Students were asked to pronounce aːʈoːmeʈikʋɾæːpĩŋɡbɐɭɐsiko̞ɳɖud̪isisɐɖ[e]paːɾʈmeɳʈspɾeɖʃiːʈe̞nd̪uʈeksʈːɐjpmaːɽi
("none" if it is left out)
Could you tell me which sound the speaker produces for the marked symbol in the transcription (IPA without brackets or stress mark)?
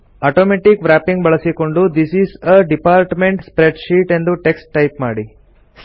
i